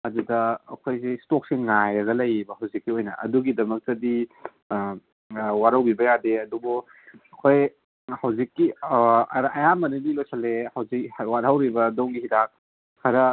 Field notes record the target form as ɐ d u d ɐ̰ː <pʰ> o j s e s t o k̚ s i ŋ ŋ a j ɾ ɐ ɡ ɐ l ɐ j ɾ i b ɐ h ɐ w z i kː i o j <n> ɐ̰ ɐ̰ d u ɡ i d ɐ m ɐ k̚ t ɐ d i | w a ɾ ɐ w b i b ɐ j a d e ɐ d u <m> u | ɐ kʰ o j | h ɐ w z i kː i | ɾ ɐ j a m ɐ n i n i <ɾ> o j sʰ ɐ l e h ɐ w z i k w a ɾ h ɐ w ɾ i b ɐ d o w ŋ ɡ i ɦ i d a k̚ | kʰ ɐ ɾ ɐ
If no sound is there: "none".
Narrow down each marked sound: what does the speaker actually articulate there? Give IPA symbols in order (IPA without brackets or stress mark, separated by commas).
kʰ, n, b, l